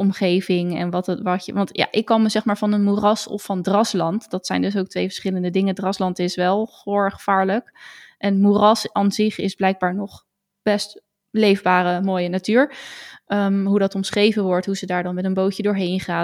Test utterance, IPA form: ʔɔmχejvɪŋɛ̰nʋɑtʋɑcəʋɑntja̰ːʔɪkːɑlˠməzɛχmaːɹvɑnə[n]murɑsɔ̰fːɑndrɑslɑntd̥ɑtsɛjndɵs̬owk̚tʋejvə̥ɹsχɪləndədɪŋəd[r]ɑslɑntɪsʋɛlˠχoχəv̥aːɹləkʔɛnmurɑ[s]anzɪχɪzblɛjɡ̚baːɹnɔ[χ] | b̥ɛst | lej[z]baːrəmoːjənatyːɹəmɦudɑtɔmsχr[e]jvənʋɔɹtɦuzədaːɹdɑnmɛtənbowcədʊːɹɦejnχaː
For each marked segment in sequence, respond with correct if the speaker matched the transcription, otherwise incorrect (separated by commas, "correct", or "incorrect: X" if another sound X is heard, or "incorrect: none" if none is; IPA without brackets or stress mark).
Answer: correct, correct, correct, correct, incorrect: v, correct